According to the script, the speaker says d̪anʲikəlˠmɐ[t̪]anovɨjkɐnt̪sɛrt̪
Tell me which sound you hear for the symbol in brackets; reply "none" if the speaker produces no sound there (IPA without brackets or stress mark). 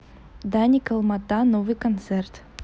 t̪